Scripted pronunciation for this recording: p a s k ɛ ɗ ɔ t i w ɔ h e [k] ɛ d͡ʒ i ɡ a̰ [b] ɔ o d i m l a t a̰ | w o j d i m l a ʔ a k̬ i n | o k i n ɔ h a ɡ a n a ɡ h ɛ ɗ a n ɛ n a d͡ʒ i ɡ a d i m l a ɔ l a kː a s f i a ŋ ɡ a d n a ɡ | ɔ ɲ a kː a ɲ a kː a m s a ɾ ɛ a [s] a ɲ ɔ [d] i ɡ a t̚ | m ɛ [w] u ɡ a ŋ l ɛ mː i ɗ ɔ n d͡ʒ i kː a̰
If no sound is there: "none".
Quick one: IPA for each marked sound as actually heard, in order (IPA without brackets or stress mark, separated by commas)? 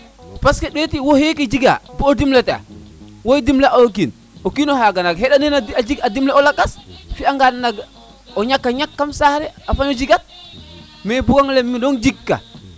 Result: k, b, f, d͡ʒ, b